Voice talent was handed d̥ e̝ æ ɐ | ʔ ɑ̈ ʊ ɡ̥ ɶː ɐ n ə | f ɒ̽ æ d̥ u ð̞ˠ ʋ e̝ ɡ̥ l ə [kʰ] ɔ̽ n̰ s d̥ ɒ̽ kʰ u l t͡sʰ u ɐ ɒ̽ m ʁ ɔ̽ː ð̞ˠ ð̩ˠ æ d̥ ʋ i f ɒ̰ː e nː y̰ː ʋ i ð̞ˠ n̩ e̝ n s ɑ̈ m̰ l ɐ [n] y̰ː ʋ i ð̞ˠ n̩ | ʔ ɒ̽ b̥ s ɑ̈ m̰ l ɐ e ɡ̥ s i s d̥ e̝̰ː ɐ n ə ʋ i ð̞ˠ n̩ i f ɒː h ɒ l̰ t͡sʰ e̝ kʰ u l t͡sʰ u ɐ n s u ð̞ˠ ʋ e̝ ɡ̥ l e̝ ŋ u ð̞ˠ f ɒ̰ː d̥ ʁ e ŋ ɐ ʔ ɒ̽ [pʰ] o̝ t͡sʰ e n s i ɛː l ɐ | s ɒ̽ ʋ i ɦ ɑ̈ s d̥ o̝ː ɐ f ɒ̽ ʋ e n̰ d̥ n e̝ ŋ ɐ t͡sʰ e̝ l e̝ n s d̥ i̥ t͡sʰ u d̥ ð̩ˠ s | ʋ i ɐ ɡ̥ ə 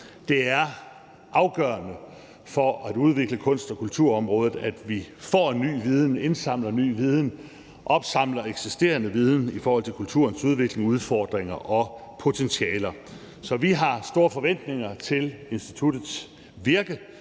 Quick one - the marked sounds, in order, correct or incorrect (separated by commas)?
correct, correct, correct